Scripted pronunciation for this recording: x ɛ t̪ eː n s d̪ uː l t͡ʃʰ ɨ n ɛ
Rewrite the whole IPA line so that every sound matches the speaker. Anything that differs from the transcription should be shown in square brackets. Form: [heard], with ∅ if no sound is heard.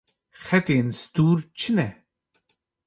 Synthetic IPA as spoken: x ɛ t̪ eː n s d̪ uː [ɾ] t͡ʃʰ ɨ n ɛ